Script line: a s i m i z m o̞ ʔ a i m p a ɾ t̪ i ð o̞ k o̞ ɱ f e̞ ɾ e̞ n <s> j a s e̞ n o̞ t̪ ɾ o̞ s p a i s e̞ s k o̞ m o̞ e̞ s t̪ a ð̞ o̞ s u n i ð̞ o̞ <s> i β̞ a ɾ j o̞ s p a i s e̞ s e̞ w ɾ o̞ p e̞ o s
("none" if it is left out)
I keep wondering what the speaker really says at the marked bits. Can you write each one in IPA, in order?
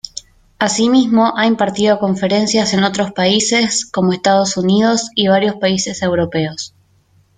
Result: s, s

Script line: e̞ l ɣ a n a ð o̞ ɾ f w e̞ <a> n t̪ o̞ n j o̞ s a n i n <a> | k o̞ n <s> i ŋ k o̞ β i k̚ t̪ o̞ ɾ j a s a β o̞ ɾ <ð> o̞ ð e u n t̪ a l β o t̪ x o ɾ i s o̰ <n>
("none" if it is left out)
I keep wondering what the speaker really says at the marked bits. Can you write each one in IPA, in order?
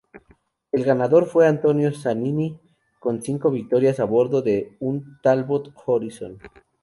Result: a, i, s, ð, n

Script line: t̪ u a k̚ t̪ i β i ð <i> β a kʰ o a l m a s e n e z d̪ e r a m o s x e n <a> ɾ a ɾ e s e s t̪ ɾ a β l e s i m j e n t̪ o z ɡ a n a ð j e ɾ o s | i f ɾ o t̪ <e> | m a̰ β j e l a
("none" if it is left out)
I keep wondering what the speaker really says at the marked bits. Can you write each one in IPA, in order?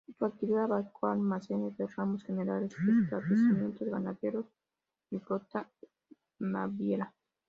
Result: a, e, a

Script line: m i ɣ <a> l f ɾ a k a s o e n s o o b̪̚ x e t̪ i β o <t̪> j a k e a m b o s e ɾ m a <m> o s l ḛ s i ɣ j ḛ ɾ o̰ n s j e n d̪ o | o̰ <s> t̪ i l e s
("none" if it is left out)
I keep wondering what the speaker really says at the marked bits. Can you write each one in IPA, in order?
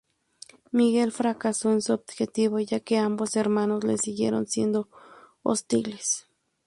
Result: e, none, n, s

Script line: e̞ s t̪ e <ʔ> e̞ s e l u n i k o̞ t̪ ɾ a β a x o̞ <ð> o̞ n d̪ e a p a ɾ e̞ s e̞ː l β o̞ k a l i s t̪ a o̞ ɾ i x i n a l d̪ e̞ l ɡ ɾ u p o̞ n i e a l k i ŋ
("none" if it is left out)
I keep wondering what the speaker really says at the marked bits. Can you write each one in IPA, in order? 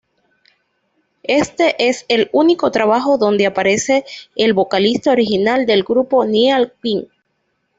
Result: ʔ, ð

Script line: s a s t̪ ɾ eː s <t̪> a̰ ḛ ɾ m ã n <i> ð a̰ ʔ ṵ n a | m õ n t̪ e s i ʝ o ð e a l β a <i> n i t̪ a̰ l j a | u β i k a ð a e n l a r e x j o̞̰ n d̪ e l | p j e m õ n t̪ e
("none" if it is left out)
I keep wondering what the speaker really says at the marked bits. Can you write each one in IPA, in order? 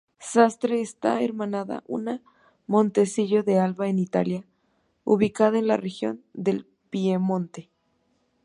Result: t̪, a, e

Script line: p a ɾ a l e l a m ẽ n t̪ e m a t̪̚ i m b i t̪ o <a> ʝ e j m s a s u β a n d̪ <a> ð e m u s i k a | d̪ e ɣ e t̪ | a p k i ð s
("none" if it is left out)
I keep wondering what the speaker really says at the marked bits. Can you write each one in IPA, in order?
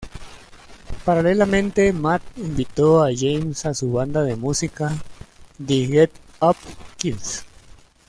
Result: a, a

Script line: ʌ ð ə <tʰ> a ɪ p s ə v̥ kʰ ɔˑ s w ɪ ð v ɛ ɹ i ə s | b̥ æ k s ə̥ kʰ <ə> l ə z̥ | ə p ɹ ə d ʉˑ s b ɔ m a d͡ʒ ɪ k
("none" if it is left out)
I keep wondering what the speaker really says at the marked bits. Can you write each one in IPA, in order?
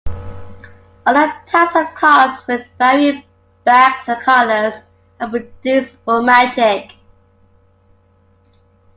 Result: tʰ, ʌ

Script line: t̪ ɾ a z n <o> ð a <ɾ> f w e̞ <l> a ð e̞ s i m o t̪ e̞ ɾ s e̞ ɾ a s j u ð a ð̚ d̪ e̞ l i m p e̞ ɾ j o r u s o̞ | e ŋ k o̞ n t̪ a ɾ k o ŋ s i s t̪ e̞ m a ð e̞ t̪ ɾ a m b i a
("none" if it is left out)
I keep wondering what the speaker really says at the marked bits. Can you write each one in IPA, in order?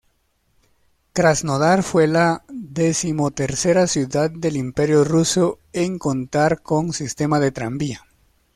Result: o, ɾ, l

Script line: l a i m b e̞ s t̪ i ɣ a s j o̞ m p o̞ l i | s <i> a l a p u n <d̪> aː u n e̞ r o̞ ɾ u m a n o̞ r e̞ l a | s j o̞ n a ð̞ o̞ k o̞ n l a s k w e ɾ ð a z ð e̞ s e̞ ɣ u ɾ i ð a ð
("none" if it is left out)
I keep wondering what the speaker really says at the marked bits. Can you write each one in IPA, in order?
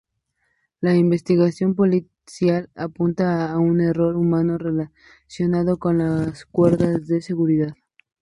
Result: j, t̪

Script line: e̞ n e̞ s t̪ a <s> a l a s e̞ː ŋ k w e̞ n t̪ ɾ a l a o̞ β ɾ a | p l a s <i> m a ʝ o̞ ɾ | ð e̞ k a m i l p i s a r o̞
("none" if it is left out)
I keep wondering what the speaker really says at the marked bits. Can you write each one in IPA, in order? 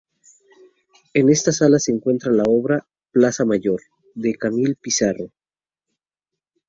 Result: s, a

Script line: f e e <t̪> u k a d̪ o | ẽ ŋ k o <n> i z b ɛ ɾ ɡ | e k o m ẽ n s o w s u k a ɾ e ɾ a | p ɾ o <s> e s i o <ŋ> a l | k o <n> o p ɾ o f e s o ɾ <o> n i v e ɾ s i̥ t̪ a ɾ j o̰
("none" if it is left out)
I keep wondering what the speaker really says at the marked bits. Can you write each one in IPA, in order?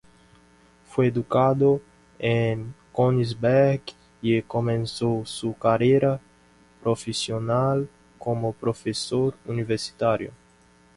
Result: d̪, n, f, n, m, u

